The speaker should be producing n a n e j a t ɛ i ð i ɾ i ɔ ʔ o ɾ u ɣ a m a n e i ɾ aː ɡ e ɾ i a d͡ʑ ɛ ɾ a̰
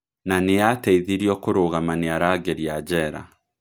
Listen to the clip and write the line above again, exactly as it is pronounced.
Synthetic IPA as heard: n a n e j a t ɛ i ð i ɾ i ɔ k o ɾ o ɣ a m a n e a ɾ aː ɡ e ɾ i a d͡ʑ ɛ ɾ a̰